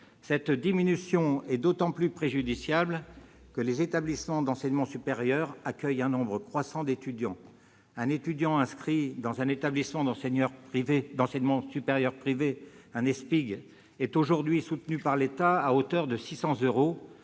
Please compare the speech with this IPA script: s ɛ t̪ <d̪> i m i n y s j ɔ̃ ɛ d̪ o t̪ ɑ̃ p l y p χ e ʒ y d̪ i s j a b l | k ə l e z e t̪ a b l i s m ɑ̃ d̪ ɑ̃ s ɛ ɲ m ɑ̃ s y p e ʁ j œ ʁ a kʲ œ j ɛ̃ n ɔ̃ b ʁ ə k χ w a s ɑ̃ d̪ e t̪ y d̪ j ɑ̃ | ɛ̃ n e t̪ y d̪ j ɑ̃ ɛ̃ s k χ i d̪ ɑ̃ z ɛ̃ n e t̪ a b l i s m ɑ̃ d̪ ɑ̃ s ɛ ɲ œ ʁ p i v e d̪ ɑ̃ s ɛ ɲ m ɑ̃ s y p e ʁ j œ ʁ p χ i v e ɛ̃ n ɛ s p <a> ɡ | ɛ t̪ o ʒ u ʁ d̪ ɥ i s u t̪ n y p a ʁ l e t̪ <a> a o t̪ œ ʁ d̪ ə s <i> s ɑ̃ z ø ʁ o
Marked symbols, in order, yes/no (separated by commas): yes, no, yes, yes